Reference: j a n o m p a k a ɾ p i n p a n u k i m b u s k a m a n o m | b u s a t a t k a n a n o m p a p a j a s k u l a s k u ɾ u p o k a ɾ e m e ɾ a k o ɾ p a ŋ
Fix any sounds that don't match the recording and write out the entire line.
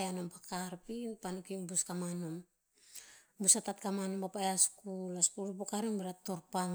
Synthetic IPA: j a n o m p a k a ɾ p i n p a n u k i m b u s k a m a n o m | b u s a t a t k a m a n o m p a p a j a s k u l a s k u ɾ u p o k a ɾ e m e ɾ a t o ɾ p a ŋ